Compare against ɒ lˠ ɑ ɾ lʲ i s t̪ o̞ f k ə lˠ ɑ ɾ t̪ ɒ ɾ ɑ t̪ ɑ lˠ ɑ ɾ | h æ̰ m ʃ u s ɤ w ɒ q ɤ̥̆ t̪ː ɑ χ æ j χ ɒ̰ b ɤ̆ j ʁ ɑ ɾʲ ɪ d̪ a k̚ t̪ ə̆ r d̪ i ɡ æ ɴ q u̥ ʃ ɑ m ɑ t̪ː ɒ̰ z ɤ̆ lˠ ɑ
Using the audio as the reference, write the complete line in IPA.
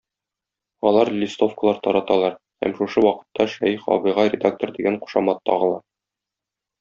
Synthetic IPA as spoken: ɒ lˠ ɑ ɾ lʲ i s t̪ o̞ f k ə lˠ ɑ ɾ t̪ ɒ ɾ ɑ t̪ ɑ lˠ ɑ ɾ | h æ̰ m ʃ u ʃ ɤ w ɒ q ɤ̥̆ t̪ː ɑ ʃ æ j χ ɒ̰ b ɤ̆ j ʁ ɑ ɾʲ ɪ d̪ a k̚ t̪ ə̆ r d̪ i ɡ æ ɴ q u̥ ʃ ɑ m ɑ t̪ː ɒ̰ ʁ ɤ̆ lˠ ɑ